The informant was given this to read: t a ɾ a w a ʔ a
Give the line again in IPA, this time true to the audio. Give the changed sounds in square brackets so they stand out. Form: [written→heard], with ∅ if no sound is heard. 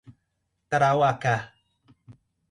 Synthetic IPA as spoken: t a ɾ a w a [ʔ→k] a